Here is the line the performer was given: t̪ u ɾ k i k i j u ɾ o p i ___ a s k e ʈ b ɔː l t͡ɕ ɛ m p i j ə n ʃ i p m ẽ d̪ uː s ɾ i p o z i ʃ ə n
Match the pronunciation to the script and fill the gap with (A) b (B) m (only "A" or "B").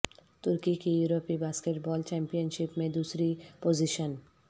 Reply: A